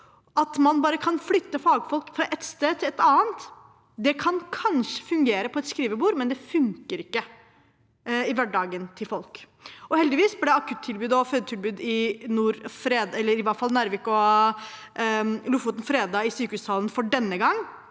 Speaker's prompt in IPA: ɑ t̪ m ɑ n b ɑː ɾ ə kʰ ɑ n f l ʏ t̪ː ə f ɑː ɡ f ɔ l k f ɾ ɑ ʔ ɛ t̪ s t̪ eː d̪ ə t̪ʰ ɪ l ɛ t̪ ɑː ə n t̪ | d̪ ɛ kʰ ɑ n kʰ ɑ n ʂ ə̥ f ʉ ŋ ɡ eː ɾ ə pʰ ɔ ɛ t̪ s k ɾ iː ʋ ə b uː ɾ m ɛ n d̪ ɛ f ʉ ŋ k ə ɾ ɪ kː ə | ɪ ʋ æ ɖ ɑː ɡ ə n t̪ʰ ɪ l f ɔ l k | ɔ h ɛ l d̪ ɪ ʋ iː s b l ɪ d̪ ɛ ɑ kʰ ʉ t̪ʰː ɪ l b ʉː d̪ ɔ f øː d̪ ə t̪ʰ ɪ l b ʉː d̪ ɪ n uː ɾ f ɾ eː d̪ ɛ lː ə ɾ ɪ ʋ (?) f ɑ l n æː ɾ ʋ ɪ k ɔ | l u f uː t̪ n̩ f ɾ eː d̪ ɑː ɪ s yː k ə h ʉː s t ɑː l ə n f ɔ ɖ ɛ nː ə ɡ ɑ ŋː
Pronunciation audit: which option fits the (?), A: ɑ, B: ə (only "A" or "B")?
A